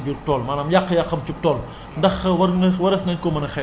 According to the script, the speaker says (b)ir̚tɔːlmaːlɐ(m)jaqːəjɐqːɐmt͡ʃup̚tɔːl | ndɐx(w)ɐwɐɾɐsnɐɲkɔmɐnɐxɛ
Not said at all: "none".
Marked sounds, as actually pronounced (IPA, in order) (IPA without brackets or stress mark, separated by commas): b, m, w